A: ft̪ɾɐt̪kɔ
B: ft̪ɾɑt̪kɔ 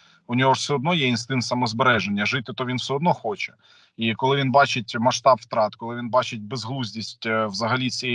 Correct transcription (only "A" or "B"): B